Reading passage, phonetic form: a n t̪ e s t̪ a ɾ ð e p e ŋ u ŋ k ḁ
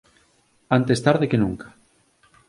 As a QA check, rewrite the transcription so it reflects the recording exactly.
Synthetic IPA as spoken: a n t̪ e s t̪ a ɾ ð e k e n u ŋ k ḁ